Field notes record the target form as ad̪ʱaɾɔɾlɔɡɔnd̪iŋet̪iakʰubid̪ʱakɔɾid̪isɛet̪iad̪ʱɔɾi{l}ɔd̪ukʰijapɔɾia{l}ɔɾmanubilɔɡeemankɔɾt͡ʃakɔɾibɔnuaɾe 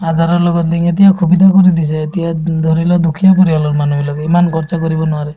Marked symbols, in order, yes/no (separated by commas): yes, yes